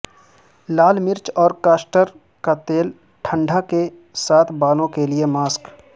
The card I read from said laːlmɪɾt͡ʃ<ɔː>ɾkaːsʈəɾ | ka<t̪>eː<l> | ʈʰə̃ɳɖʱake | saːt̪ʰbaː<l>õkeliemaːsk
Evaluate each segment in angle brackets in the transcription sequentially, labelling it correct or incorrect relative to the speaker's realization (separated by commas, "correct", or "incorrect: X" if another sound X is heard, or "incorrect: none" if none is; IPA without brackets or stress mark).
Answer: correct, correct, correct, correct